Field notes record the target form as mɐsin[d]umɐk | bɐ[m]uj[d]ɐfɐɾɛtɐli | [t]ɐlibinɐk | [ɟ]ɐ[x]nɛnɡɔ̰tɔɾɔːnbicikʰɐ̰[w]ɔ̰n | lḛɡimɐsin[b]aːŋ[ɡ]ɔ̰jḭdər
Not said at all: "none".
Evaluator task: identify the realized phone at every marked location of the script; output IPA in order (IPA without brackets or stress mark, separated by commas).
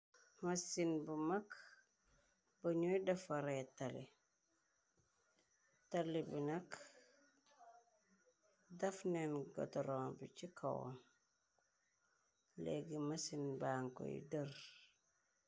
b, ɲ, d, t, d, f, w, b, k